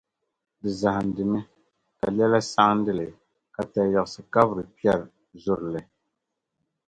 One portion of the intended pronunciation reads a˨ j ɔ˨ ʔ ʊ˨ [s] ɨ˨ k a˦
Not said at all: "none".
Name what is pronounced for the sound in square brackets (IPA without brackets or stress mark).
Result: s